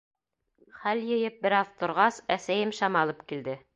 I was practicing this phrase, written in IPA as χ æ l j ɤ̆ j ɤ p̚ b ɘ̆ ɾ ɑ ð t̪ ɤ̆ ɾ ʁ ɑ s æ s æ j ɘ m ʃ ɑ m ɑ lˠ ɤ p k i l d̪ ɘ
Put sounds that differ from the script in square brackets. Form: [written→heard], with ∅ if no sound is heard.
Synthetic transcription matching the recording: χ æ l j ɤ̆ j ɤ p̚ b ɘ̆ ɾ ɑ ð t̪ [ɤ̆→ŏ] ɾ ʁ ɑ s æ s æ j ɘ m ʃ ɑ m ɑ lˠ ɤ p k i l d̪ ɘ